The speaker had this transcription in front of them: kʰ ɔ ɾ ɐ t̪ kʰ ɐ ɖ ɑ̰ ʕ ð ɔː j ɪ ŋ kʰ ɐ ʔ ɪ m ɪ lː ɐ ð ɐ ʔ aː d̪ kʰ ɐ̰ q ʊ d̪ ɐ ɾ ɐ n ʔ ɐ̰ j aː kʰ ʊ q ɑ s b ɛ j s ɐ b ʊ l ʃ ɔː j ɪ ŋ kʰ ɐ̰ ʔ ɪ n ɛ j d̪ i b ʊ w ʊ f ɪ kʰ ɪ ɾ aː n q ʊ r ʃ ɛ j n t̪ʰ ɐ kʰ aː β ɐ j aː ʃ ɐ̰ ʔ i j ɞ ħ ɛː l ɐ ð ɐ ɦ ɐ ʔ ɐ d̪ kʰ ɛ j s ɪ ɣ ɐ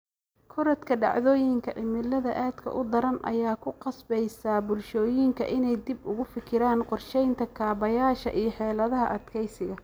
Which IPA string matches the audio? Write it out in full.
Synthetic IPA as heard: kʰ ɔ ɾ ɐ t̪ kʰ ɐ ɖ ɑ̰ ʕ ð ɔː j ɪ ŋ kʰ ɐ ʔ ɪ m ɪ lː ɐ ð ɐ ʔ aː d̪ kʰ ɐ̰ ʔ ʊ d̪ ɐ ɾ ɐ n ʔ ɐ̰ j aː kʰ ʊ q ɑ s b ɛ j s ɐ b ʊ l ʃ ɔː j ɪ ŋ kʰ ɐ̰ ʔ ɪ n ɛ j d̪ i b ʊ ɣ ʊ f ɪ kʰ ɪ ɾ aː n q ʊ r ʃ ɛ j n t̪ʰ ɐ kʰ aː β ɐ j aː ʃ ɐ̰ ʔ i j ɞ ħ ɛː l ɐ ð ɐ ɦ ɐ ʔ ɐ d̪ kʰ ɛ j s ɪ ɣ ɐ

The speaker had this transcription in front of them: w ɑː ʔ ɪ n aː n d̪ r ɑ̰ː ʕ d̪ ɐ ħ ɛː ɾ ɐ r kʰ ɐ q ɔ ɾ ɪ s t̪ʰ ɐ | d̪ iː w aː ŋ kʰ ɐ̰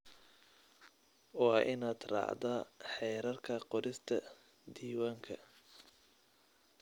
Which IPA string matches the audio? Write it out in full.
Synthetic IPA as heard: w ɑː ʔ ɪ n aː d̪ r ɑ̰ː ʕ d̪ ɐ ħ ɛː ɾ ɐ r kʰ ɐ q ɔ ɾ ɪ s t̪ʰ ɐ | d̪ iː w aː ŋ kʰ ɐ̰

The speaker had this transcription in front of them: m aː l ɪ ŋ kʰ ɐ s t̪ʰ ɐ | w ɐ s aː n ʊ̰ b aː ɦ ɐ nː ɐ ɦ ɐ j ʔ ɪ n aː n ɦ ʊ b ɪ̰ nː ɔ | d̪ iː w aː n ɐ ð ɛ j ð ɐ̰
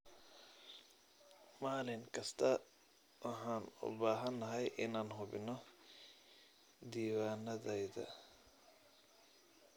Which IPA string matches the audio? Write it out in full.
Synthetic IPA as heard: m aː l ɪ ŋ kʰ ɐ s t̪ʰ ɐ | w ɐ ħ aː n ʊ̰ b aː ɦ ɐ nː ɐ ɦ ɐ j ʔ ɪ n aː n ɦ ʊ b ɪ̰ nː ɔ | d̪ iː w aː n ɐ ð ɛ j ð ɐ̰

